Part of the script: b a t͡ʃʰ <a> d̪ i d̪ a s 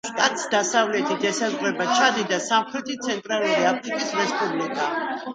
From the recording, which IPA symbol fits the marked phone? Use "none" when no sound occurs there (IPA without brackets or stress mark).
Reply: a